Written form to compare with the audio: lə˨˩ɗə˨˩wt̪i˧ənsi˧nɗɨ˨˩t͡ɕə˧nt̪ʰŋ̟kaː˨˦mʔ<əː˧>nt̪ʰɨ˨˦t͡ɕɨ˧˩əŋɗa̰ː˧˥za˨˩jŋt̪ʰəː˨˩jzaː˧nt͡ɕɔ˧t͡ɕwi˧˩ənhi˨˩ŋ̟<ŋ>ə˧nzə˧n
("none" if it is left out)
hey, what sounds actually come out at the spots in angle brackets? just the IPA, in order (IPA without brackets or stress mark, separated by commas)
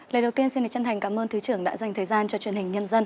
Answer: əː˧, ɲ